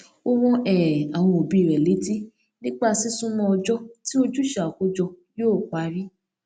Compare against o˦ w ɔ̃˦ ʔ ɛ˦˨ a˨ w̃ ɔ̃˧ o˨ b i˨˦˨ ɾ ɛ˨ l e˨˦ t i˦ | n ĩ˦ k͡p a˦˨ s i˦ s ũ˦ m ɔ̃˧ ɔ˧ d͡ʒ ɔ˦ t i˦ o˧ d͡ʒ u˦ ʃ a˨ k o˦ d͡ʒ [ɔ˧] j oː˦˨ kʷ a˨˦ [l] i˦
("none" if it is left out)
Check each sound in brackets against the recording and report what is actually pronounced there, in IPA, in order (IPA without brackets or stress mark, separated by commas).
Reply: ɔ˧, ɾ